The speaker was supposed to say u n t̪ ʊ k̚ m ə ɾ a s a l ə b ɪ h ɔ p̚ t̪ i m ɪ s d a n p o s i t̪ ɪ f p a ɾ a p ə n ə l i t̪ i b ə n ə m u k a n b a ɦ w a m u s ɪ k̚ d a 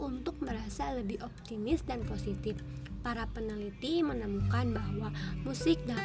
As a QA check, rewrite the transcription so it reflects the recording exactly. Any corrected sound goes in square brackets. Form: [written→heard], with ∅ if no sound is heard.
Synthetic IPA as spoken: u n t̪ ʊ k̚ m ə ɾ a s a l ə b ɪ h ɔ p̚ t̪ i m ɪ s d a n p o s i t̪ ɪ f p a ɾ a p ə n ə l i t̪ i [b→m] ə n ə m u k a n b a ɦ w a m u s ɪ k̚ d a